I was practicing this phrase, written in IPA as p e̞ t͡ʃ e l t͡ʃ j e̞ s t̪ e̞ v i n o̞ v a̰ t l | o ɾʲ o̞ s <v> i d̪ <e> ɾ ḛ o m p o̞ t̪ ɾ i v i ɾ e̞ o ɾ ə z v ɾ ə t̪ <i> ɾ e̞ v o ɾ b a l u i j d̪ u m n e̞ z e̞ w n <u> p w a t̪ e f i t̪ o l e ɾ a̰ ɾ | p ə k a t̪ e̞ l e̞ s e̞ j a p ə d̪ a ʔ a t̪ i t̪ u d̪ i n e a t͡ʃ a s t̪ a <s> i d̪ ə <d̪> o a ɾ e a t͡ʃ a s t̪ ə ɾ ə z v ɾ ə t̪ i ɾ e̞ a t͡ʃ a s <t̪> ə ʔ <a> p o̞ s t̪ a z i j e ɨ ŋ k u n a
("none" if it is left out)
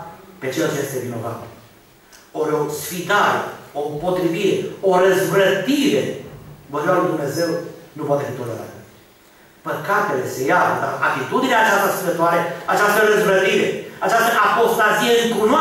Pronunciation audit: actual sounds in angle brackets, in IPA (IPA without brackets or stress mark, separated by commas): f, a, i, u, s, t̪, t̪, a